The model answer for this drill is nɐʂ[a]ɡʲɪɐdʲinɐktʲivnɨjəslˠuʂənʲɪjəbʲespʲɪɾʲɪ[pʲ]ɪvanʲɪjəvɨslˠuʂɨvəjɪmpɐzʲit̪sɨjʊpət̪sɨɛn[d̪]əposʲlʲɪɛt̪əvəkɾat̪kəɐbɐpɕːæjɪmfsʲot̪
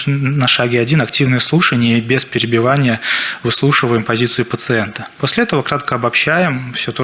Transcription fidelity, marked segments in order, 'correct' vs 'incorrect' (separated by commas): correct, incorrect, incorrect